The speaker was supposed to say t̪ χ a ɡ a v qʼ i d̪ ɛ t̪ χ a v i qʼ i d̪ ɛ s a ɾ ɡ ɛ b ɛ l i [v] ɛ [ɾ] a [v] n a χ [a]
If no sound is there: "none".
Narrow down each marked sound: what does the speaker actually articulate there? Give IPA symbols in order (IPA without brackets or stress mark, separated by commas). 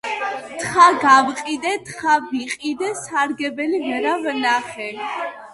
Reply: v, ɾ, v, ɛ